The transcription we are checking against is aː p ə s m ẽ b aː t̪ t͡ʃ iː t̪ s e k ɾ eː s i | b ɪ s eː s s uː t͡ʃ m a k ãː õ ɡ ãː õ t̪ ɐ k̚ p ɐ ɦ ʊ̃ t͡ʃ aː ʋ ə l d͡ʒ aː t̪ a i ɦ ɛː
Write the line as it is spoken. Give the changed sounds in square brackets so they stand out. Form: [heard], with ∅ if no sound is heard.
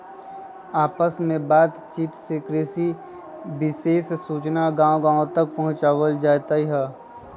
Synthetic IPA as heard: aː p ə s m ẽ b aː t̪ t͡ʃ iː t̪ s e k ɾ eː s i | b ɪ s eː s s uː t͡ʃ [n] a [ɡ] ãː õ ɡ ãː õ t̪ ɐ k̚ p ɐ ɦ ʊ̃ t͡ʃ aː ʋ ə l d͡ʒ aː t̪ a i ɦ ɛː